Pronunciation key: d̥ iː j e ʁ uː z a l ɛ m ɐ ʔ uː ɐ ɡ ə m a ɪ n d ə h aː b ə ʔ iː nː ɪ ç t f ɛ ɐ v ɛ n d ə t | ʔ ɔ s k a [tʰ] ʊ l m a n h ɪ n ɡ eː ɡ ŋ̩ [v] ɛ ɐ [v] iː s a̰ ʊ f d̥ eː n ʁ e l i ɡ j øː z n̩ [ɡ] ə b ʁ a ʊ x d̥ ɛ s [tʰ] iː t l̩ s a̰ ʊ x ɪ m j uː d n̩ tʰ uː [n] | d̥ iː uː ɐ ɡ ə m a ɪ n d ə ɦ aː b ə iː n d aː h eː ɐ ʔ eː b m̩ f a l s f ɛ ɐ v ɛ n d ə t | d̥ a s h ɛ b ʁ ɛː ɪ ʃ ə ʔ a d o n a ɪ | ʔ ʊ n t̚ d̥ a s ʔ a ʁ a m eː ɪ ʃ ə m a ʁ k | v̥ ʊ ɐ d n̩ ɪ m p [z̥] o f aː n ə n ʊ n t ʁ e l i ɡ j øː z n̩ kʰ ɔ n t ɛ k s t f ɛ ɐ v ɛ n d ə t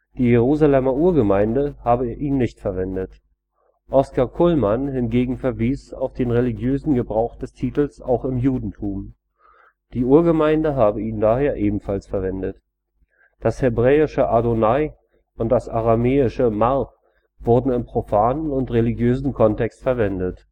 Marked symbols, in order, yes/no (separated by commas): no, no, yes, yes, yes, no, no